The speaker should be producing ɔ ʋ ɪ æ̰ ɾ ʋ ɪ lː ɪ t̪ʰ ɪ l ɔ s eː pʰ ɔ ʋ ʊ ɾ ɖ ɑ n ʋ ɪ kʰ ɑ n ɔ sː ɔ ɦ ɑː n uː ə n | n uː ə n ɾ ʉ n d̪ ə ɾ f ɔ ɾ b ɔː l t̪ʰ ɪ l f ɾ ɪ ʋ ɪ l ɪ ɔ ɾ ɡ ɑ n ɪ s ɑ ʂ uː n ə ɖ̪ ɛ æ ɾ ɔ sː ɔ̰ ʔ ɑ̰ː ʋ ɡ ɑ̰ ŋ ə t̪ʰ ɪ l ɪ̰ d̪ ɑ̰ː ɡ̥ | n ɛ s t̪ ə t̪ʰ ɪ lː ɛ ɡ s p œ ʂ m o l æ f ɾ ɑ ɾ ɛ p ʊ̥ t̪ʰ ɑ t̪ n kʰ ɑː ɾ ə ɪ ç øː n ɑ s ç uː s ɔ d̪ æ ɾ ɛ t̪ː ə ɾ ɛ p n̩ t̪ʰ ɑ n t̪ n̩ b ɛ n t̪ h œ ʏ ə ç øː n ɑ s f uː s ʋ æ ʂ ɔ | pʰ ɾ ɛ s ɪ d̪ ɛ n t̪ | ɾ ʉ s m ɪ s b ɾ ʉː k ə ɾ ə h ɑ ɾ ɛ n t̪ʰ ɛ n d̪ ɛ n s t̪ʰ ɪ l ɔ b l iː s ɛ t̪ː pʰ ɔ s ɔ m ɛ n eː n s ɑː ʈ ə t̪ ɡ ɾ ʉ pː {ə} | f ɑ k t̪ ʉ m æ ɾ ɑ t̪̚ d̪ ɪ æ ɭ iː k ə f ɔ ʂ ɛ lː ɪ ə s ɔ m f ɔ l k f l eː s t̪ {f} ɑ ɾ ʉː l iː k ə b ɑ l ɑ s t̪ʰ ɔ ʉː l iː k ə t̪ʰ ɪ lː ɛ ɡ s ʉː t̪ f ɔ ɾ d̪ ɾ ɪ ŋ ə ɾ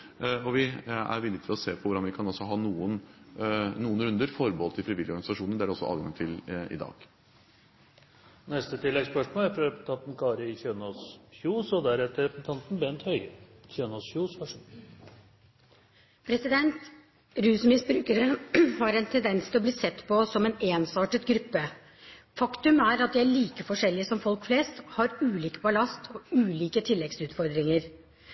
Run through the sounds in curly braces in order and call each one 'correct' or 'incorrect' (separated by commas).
correct, incorrect